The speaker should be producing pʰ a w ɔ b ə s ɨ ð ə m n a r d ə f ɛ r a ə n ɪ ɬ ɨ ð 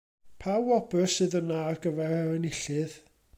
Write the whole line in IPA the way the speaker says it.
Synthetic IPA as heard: pʰ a w ɔ b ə s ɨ ð ə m n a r ɡ ə v ɛ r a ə n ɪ ɬ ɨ ð